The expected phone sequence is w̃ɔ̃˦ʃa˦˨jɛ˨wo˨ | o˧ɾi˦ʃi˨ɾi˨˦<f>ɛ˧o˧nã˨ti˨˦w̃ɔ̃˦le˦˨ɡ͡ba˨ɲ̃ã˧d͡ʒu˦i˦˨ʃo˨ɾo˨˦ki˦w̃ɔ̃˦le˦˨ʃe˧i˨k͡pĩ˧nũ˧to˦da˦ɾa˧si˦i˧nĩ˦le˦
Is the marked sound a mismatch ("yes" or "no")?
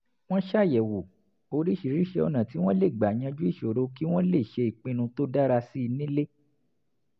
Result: yes